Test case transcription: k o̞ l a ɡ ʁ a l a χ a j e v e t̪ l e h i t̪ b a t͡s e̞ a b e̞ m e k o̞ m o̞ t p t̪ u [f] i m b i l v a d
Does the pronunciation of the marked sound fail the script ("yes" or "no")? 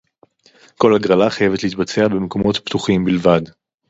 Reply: yes